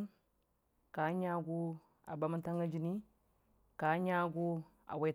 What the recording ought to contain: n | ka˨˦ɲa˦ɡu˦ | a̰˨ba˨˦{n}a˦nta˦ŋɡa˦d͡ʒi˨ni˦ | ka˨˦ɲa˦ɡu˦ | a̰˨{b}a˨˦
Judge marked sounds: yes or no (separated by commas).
no, no